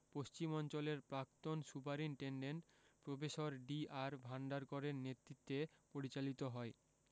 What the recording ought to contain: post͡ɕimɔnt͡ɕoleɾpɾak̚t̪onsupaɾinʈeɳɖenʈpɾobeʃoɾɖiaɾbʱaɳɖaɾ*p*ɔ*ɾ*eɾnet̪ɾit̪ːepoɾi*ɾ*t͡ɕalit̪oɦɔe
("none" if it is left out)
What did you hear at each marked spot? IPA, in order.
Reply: k, ɾ, none

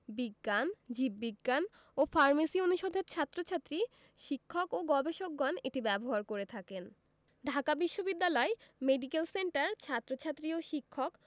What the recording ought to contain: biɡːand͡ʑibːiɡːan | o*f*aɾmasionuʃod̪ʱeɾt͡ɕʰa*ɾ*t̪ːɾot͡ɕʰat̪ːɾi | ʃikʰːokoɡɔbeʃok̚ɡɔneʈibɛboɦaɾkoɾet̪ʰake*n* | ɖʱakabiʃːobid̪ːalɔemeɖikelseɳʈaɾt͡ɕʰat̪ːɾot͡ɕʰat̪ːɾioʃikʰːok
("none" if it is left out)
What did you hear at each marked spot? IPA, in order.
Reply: f, none, n

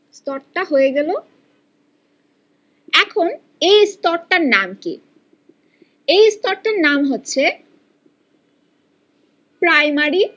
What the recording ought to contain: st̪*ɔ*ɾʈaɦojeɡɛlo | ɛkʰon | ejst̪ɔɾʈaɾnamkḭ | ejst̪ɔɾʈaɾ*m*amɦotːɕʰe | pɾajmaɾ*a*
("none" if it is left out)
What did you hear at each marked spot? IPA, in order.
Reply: ɔ, n, i

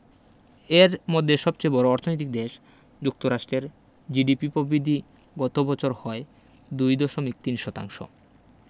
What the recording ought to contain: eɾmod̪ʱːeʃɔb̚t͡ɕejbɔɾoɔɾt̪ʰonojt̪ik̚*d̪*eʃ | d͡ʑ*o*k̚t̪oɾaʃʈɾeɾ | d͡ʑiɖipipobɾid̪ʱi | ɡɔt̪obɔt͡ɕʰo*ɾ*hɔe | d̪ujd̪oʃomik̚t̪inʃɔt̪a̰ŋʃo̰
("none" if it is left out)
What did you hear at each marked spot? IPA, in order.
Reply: d̪, u, ɾ

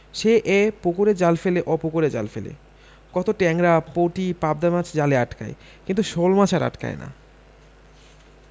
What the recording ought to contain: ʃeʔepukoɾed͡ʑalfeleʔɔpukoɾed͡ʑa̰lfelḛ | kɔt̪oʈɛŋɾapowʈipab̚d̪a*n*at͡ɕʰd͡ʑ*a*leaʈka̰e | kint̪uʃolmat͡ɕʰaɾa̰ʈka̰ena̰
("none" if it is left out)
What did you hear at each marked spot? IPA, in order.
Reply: m, a

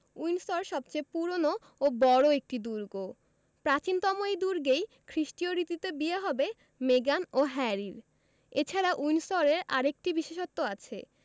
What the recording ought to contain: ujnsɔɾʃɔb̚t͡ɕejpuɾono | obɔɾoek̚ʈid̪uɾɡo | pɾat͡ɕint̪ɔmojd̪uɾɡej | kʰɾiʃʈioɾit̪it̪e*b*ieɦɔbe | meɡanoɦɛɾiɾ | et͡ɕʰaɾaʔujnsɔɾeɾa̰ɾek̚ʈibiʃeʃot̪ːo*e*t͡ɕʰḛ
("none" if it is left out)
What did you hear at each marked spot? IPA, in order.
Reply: b, a

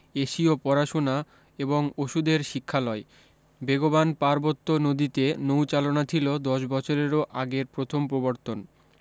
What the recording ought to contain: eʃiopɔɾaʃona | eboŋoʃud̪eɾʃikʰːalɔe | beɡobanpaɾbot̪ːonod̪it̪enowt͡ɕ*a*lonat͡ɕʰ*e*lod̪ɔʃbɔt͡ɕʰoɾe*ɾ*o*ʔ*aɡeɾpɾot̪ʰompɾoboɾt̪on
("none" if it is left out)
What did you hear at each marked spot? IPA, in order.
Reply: a, i, ɾ, ʔ

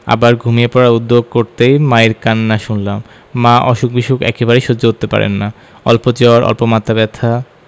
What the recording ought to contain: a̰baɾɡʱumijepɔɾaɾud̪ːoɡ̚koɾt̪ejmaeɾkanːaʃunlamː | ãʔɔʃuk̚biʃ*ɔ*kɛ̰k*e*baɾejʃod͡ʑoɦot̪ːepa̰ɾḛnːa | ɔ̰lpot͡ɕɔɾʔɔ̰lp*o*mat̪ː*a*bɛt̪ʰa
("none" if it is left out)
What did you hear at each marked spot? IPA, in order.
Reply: u, e, o, a

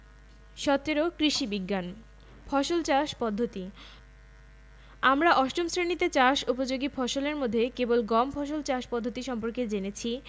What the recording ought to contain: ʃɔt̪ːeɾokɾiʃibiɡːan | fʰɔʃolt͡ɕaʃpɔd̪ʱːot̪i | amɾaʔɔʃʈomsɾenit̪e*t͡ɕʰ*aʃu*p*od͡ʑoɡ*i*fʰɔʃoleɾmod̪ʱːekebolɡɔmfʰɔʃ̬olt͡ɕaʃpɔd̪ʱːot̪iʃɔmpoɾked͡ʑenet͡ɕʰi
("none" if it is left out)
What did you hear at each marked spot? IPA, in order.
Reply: t͡ɕ, p, i

